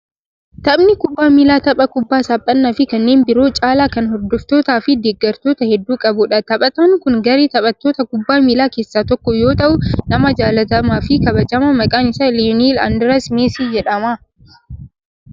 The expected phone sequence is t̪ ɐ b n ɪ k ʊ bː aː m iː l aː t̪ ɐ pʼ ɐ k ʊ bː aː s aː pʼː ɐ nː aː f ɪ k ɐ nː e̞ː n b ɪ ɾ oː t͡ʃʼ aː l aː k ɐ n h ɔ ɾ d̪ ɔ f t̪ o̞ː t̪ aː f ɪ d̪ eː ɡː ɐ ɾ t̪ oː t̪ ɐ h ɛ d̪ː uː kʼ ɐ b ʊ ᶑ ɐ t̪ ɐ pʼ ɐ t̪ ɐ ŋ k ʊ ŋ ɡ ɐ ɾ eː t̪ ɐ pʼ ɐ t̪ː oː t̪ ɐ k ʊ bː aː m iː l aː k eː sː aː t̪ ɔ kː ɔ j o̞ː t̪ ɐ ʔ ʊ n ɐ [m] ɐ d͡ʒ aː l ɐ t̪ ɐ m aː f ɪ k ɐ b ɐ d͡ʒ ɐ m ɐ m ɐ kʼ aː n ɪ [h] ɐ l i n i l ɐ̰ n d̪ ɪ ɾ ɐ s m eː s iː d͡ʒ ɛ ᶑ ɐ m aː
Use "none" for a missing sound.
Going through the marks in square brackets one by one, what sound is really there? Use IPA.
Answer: m, s

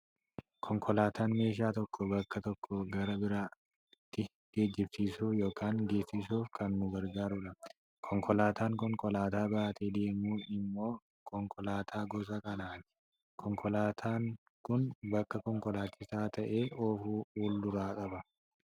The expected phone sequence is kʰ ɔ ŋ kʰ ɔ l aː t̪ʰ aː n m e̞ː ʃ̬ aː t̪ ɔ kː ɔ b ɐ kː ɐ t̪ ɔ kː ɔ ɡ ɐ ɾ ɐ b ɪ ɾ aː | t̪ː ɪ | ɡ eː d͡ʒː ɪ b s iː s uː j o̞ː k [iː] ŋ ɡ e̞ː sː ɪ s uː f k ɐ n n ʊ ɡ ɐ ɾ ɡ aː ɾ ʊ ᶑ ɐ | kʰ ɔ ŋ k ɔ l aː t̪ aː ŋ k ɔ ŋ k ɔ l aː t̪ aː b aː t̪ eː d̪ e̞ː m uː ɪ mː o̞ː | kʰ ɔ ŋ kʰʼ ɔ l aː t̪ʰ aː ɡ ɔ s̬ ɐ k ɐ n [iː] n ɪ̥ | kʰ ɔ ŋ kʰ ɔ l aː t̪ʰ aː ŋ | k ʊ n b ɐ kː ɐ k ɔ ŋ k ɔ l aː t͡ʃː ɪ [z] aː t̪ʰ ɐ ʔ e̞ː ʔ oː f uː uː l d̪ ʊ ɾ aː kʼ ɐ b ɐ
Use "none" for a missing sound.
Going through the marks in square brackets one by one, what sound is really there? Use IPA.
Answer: aː, aː, s

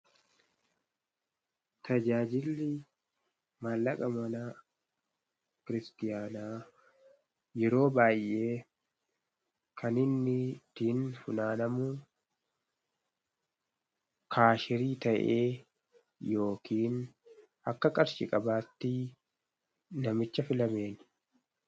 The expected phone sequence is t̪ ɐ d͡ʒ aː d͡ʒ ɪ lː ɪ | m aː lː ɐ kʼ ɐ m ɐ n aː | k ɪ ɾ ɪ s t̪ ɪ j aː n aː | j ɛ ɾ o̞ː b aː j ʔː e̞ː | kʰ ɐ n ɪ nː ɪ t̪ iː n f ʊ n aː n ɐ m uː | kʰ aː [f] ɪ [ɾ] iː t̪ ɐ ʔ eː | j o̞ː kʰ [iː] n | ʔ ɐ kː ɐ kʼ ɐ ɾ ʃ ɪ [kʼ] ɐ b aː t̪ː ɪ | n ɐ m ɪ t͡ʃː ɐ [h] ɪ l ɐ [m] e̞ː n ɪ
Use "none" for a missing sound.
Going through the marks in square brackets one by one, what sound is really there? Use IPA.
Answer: ʃ, ɾ, iː, kʼ, f, m

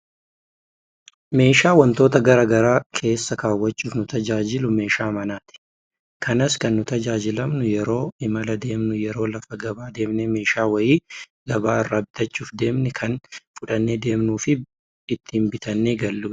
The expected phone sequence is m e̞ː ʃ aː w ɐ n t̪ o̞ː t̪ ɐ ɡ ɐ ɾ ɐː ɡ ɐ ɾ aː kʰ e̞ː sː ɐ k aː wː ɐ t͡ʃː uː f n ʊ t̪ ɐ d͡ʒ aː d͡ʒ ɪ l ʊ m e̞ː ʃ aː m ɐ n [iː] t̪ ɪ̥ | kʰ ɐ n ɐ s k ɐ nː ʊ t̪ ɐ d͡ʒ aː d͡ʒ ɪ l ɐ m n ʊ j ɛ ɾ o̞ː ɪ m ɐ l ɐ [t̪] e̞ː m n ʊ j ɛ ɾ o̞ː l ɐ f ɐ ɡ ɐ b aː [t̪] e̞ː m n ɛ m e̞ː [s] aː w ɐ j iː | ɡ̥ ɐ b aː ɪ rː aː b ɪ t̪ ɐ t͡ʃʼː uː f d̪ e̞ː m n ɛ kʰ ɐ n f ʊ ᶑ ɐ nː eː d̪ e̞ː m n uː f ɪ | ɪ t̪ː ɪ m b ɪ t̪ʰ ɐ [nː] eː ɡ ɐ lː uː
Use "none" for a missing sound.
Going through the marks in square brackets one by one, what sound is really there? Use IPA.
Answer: aː, d̪, d̪, ʃ, nː

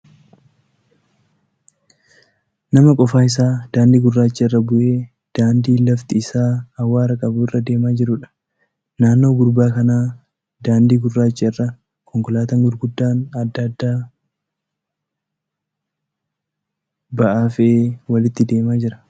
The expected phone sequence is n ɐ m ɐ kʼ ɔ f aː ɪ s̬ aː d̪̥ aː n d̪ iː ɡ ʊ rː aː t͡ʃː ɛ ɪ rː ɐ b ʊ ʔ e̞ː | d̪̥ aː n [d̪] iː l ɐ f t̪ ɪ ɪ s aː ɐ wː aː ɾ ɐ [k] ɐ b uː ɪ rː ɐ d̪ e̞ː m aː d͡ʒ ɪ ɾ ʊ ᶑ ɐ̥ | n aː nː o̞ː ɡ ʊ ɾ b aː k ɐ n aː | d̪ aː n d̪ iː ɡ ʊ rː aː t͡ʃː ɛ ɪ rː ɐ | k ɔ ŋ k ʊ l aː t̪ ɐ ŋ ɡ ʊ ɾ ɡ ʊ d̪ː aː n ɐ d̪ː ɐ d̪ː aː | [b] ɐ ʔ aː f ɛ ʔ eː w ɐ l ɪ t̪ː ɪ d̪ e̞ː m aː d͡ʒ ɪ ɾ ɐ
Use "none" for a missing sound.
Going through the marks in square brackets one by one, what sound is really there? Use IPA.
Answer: d̪, kʼ, b

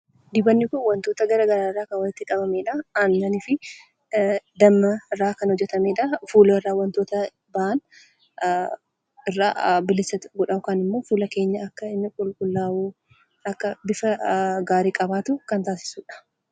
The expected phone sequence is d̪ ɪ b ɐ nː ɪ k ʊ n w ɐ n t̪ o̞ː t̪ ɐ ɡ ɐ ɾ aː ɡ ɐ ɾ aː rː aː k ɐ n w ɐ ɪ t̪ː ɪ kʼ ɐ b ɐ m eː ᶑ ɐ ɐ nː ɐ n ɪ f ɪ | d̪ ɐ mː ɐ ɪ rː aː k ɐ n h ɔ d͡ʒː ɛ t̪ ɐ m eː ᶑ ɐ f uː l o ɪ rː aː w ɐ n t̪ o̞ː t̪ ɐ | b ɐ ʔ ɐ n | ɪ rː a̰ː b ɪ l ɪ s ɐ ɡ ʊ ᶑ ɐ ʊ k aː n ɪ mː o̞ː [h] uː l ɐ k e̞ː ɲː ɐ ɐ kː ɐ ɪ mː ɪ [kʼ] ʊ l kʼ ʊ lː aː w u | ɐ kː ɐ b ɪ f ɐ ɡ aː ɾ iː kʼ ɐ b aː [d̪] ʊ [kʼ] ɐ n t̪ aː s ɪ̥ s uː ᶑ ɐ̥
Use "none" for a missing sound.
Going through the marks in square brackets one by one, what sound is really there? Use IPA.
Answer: f, kʼ, t̪, k

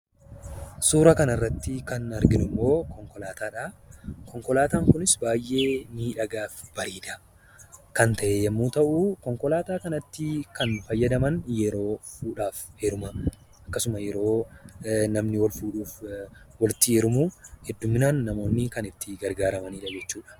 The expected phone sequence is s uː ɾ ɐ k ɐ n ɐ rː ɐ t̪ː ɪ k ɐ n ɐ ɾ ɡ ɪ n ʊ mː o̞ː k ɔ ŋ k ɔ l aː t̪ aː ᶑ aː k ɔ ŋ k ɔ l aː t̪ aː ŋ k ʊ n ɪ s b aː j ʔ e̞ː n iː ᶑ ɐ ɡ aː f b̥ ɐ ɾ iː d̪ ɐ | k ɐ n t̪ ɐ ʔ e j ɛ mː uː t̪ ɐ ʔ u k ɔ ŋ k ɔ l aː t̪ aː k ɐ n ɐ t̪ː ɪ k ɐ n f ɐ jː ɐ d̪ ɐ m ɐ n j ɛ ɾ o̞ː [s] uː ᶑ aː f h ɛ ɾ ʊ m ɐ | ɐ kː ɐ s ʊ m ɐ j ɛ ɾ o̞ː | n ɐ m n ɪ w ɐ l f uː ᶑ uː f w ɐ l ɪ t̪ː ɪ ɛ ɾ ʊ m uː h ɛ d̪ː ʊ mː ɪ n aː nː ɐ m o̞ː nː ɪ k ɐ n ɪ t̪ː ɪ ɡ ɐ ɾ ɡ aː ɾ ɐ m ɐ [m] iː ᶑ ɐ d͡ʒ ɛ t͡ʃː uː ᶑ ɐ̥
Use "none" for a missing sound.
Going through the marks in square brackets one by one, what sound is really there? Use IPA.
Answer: f, n

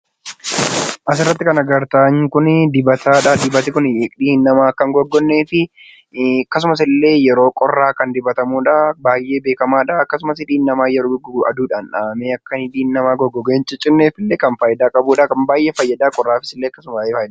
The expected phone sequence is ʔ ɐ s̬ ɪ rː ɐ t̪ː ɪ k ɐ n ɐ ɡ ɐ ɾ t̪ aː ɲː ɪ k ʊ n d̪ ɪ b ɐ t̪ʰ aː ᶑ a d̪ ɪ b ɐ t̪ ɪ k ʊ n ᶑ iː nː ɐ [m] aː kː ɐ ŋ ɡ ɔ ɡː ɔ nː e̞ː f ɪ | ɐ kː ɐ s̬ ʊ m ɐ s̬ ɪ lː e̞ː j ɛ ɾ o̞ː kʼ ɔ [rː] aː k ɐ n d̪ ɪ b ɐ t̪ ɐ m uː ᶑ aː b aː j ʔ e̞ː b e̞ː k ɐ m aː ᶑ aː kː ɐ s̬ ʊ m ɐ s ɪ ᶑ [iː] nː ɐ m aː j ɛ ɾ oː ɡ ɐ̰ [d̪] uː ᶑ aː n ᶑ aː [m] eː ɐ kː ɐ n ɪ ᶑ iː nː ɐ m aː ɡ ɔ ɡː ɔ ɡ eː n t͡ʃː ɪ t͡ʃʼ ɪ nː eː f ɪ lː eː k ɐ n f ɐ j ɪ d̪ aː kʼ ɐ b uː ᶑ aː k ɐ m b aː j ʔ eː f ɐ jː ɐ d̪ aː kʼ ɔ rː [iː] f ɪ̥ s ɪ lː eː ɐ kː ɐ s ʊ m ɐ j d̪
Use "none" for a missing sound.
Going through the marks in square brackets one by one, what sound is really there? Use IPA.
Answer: m, rː, iː, d̪, m, aː

